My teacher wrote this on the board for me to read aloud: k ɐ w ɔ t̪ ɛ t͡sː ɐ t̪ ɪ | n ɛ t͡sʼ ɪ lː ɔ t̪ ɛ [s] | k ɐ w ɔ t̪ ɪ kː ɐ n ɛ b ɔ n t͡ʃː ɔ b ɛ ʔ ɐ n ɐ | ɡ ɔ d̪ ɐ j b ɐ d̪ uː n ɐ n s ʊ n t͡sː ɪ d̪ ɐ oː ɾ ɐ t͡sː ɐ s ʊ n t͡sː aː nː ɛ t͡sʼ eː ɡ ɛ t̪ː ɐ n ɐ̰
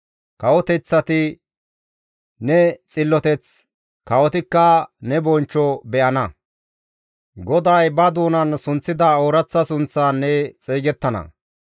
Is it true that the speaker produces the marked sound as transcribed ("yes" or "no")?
no